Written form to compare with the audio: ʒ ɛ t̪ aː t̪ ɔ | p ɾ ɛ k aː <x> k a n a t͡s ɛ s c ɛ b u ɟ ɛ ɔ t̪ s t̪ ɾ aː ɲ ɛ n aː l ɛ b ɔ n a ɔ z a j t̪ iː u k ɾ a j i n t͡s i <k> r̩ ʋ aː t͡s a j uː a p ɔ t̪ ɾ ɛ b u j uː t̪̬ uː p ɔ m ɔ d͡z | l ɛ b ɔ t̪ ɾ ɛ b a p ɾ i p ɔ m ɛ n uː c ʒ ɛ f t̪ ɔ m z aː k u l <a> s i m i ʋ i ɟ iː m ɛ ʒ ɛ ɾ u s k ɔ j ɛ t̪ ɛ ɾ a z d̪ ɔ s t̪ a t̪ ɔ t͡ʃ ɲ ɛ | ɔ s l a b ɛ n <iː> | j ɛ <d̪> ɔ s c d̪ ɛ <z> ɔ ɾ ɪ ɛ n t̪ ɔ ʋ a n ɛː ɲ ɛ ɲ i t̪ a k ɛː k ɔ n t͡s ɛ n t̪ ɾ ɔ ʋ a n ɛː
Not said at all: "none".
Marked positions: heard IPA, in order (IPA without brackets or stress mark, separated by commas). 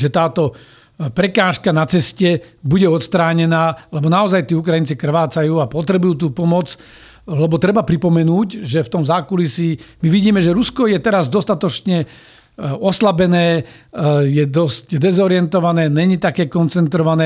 ʃ, k, i, ɛː, d̪, z